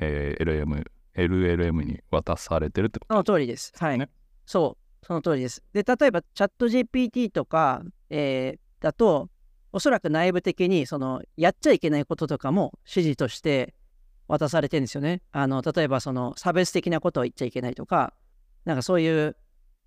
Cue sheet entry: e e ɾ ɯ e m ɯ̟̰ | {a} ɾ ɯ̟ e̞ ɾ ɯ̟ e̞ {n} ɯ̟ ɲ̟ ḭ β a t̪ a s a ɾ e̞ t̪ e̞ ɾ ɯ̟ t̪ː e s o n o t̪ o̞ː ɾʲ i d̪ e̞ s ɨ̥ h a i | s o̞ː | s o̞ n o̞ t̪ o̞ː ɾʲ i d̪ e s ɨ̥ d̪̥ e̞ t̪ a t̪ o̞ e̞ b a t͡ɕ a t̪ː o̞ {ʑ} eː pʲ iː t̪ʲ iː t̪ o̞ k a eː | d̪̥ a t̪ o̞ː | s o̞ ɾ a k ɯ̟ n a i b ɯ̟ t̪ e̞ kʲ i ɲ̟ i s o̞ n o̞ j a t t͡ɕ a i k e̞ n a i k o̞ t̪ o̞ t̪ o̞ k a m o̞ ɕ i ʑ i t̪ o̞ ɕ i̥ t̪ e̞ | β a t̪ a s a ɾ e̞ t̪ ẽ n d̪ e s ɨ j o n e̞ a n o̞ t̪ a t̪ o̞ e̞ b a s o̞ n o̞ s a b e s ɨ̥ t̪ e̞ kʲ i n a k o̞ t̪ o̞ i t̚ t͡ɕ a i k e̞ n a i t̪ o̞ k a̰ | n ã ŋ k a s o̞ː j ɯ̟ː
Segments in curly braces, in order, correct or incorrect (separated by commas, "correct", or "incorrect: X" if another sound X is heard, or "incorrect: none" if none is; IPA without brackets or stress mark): incorrect: e, incorrect: m, correct